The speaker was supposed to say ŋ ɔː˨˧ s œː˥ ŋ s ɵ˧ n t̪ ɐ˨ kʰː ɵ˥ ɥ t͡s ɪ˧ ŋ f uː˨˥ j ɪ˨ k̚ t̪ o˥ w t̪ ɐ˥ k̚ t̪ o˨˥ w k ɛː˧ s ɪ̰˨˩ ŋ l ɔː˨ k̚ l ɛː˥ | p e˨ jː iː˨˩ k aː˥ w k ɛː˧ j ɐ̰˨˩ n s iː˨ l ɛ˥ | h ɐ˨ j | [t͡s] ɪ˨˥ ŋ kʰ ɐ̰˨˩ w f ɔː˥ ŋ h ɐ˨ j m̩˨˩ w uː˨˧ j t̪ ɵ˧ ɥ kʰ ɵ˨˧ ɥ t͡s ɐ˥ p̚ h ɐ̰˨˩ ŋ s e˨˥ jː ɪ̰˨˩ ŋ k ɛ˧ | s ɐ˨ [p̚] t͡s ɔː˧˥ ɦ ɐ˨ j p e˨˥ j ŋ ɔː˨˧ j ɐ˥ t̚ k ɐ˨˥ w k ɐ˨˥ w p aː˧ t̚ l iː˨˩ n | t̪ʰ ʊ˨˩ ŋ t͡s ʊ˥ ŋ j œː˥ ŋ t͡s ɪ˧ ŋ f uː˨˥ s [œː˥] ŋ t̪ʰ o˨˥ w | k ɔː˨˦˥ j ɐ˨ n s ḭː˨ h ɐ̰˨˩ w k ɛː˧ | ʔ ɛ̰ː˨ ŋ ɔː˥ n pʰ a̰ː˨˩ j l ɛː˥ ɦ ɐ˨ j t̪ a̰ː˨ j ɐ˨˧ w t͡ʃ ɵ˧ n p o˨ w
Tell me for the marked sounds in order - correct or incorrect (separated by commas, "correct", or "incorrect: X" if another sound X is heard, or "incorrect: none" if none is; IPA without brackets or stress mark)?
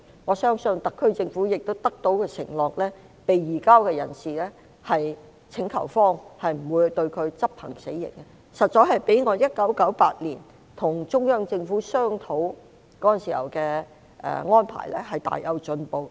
incorrect: t͡sʰ, incorrect: t̚, correct